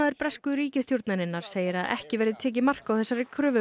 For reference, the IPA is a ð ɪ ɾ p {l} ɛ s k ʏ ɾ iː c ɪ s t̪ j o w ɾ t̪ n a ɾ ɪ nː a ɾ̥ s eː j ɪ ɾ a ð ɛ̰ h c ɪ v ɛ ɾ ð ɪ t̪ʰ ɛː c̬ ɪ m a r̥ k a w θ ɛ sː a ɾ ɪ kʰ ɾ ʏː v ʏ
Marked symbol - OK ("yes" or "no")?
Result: no